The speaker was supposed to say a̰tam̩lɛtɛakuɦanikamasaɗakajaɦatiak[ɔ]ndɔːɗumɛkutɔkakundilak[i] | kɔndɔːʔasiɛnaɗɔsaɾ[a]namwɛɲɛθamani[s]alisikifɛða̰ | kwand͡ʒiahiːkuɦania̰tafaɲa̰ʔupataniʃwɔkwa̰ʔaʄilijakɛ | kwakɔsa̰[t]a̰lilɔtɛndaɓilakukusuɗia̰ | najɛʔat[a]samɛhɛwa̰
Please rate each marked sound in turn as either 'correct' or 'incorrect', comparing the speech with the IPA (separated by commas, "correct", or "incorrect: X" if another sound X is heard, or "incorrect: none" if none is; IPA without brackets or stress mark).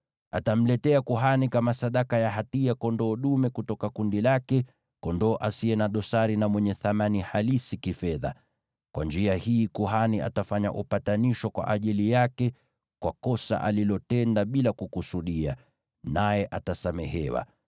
correct, incorrect: ɛ, incorrect: i, incorrect: h, incorrect: ʔ, correct